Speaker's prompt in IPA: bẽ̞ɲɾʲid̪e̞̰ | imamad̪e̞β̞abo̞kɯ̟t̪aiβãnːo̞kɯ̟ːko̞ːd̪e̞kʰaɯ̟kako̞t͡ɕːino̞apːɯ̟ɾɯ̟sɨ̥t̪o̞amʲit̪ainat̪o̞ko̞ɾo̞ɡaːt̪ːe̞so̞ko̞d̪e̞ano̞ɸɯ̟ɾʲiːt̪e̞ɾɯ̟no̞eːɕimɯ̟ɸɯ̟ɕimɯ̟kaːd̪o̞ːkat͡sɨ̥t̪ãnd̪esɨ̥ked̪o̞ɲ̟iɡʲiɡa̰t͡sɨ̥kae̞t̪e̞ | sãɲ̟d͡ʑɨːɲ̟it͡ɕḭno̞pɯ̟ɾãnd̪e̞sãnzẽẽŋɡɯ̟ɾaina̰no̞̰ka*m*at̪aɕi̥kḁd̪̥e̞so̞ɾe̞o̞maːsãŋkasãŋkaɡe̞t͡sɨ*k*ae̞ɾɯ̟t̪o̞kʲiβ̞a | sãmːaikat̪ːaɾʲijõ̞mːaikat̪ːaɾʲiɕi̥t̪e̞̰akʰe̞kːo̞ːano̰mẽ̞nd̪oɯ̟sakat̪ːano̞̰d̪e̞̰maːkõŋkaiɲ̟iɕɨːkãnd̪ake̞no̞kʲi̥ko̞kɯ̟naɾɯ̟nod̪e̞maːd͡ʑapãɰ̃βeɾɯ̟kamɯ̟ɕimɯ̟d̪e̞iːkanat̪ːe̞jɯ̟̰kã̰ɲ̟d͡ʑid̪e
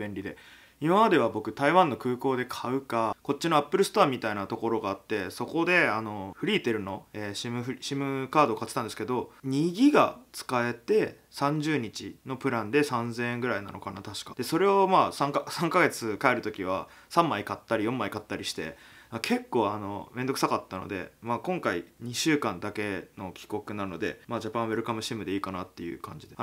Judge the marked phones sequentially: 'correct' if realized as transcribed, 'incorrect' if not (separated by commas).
incorrect, correct